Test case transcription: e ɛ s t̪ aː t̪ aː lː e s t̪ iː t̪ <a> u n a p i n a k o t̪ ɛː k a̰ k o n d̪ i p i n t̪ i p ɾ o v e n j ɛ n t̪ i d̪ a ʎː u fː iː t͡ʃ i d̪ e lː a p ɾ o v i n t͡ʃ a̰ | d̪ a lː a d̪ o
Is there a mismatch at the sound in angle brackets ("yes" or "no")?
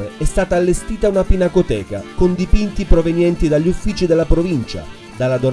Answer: no